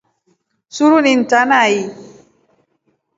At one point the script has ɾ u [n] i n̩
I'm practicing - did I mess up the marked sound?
no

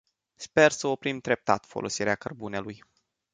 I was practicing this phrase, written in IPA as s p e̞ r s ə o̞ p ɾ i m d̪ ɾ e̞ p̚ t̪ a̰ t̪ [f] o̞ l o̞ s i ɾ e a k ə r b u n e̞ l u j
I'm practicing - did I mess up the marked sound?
no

